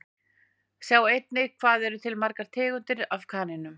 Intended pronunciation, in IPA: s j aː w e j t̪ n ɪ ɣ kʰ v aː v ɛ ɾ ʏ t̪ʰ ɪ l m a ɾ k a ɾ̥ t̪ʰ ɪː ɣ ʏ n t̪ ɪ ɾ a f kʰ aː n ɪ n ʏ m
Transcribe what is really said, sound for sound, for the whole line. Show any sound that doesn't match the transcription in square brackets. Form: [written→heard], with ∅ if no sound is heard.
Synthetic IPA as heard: s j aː w e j t̪ n ɪ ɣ kʰ v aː [v→ð] ɛ ɾ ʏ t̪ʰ ɪ l m a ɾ k a ɾ̥ t̪ʰ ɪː ɣ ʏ n t̪ ɪ ɾ a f kʰ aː n ɪ n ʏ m